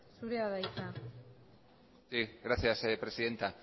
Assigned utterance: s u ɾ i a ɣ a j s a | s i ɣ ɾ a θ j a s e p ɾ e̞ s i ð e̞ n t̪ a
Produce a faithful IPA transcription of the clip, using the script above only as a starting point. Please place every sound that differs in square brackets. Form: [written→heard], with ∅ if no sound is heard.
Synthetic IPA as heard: s u ɾ [i→e] a [ɣ→ð] a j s a | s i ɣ ɾ a θ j a s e p ɾ e̞ s i ð e̞ n t̪ a